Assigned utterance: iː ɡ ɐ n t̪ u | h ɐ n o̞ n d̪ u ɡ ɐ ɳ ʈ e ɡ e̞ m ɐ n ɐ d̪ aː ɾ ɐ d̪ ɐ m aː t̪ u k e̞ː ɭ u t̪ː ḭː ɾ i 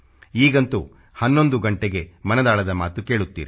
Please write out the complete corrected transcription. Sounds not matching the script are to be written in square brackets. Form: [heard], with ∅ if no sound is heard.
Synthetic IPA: iː ɡ ɐ n t̪ u | h ɐ [nː] o̞ n d̪ u ɡ ɐ ɳ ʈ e ɡ e̞ m ɐ n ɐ d̪ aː [ɭ] ɐ d̪ ɐ m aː t̪ u k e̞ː ɭ u t̪ː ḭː ɾ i